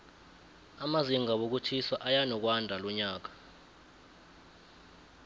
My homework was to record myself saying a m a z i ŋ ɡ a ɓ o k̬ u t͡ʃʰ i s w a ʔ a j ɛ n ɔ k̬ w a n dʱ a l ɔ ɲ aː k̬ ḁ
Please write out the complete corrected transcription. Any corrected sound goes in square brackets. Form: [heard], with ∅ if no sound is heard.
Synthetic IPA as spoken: a m a z i ŋ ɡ a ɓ o k̬ u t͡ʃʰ i s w a ʔ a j [a] n ɔ k̬ w a n dʱ a l ɔ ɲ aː k̬ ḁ